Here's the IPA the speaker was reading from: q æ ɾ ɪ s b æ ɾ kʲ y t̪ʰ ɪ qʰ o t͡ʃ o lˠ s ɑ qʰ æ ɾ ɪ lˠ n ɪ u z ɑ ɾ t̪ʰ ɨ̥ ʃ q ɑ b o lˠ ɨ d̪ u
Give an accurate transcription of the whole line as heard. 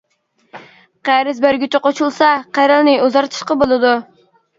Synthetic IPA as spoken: q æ ɾ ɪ z b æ ɾ ɡʲ y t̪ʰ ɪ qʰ o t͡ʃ u lˠ s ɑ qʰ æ ɾ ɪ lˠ n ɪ u z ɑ ɾ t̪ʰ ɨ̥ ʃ q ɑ b o lˠ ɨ d̪ u